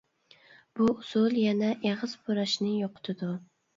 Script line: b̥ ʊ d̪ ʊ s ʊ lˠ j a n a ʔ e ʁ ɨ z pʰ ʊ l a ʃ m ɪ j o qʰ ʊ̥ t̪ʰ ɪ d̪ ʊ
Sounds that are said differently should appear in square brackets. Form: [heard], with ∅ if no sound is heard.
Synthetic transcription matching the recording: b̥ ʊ [∅] ʊ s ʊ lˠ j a n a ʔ e ʁ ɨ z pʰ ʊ [ɾ] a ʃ [n] ɪ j o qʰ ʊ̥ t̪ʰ ɪ d̪ ʊ